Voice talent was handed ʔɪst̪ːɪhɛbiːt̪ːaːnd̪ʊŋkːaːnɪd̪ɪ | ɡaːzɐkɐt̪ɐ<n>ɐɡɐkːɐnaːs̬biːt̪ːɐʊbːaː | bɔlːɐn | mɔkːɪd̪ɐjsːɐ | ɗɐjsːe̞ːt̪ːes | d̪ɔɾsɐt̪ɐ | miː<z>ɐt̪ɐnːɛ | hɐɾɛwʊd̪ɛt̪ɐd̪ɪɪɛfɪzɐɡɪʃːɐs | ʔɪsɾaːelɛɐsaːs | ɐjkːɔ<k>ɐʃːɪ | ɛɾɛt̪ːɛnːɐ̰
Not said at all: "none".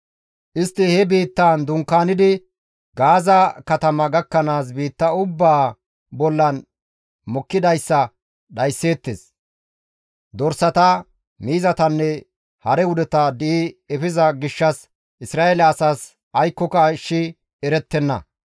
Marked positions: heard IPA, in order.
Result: m, z, k

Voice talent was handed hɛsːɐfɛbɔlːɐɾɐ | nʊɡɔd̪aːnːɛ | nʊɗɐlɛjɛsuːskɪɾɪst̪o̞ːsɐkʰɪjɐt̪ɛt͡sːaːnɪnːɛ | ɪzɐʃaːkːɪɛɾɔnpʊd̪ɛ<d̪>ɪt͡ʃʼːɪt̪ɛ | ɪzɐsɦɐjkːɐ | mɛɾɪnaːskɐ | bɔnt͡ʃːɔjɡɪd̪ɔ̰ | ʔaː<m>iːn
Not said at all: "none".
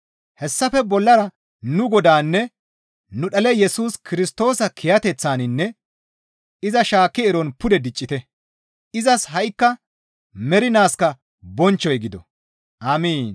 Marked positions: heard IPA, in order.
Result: d̪, m

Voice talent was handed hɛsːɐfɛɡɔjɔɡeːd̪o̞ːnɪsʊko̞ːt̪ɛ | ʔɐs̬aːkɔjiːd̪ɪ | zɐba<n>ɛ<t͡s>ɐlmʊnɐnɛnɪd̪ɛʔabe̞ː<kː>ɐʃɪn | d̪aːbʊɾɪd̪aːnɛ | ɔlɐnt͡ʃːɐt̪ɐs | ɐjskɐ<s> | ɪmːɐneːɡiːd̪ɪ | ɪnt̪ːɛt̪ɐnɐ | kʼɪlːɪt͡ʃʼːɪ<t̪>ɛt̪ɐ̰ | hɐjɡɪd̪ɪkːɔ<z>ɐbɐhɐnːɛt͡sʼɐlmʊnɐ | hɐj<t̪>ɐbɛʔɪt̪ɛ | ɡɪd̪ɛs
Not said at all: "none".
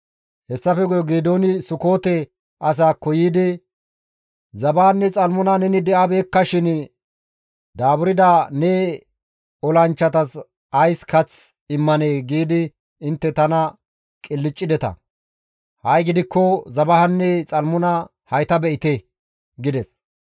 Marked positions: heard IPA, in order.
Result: nː, t͡sʼ, kː, t͡s, d̪, z, t̪

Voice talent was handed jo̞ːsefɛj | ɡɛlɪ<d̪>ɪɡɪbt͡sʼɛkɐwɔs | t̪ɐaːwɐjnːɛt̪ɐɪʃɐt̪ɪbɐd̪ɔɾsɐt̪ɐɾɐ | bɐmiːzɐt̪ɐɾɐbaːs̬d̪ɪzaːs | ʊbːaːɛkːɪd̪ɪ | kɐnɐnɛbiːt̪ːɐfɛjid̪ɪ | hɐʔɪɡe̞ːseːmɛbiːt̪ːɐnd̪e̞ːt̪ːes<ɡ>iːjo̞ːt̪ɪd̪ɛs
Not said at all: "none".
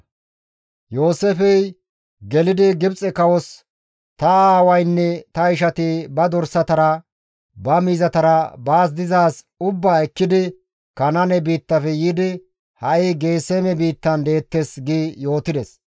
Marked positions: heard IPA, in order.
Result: d̪, ɡ

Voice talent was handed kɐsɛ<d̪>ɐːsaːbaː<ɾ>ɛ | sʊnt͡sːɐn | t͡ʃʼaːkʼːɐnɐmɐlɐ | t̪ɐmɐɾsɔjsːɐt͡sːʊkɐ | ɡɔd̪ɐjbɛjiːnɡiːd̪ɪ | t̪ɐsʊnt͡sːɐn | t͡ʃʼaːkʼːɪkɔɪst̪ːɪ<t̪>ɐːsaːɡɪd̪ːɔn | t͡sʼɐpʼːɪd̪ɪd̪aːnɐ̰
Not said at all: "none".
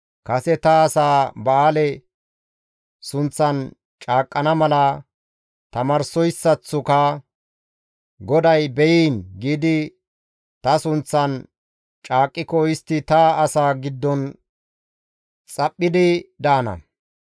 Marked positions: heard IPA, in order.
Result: t̪, l, t̪

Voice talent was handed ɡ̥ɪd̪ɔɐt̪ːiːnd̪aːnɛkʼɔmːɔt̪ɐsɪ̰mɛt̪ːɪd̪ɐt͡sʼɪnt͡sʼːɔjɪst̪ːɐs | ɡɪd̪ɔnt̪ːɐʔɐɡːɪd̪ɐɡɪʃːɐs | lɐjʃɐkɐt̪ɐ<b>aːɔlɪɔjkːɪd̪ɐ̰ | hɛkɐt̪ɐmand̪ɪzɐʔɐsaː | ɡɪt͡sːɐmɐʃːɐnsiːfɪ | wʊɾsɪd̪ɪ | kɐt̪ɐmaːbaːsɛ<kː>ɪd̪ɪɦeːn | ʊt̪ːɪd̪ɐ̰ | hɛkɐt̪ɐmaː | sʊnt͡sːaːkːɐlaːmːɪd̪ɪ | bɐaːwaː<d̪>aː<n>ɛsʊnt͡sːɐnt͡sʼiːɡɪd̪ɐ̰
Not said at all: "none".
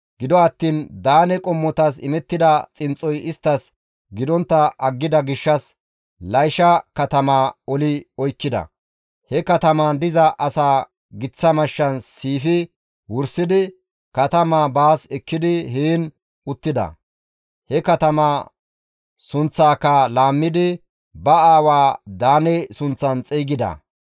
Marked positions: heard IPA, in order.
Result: m, kː, d̪, n

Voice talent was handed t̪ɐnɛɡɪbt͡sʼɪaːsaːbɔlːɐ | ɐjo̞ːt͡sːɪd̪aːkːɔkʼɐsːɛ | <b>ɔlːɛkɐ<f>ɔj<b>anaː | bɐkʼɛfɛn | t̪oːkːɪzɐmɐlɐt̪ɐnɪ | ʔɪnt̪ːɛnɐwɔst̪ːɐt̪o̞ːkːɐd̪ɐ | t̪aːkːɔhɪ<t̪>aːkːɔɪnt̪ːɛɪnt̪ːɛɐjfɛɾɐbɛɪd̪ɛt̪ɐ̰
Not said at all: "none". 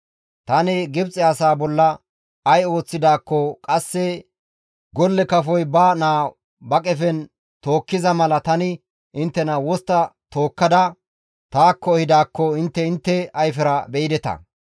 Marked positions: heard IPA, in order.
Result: ɡ, f, b, d̪

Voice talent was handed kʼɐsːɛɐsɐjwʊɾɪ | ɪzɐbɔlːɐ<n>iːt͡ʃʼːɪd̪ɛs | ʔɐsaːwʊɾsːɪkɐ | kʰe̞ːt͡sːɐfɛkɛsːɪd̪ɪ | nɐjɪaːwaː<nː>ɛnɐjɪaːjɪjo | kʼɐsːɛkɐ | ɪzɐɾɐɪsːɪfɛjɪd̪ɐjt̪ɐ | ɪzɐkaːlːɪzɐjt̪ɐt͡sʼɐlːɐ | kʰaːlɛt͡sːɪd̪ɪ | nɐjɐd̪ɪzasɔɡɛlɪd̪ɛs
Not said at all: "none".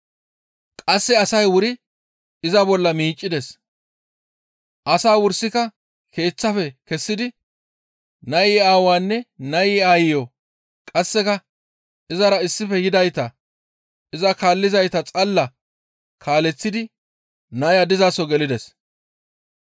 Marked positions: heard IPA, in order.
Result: m, nː

